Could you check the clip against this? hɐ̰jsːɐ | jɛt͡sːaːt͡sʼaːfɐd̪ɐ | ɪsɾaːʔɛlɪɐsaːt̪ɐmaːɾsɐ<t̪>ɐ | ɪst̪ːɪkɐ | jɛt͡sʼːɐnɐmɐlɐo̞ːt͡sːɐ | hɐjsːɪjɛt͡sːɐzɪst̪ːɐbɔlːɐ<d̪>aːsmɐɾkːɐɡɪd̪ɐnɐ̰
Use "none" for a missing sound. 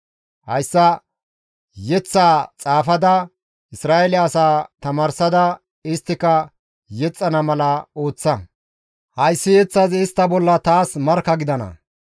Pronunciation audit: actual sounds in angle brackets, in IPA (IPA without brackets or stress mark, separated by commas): d̪, t̪